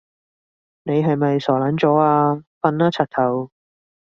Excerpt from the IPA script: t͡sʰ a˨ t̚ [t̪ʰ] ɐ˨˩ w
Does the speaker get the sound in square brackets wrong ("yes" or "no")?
no